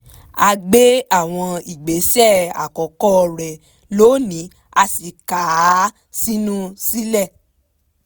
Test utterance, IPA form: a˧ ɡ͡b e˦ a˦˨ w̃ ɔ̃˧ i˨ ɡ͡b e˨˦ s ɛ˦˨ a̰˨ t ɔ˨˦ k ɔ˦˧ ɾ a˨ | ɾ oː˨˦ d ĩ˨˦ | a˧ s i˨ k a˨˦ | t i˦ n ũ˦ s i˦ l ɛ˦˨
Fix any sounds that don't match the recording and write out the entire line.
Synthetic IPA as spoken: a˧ ɡ͡b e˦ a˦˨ w̃ ɔ̃˧ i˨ ɡ͡b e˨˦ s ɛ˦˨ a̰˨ k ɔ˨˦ k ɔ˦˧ ɾ ɛ˨ | l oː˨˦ n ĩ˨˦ | a˧ s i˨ k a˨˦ | s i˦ n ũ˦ s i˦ l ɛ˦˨